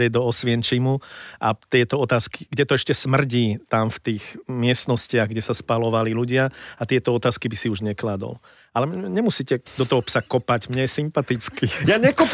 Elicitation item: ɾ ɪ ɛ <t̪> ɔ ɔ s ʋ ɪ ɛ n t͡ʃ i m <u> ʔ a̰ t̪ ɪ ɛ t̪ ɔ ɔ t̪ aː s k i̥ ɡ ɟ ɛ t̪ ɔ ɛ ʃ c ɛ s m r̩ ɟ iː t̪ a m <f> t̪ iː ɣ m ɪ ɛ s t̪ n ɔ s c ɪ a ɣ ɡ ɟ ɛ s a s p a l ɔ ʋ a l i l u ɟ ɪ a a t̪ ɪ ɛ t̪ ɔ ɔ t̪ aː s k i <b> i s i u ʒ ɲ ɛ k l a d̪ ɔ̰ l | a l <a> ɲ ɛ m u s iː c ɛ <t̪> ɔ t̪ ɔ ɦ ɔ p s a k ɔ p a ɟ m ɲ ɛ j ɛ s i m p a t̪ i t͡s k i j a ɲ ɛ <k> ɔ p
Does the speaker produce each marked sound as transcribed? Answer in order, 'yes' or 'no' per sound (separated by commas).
no, yes, yes, yes, no, no, yes